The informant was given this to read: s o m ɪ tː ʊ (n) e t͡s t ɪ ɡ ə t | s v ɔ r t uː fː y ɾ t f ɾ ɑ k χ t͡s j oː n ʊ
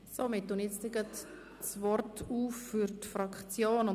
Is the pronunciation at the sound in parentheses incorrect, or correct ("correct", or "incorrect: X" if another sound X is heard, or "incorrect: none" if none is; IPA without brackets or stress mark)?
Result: correct